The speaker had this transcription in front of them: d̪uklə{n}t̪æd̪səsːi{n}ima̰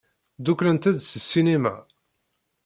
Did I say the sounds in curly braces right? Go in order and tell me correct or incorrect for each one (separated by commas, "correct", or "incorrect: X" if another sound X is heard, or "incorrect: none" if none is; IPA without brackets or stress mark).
correct, correct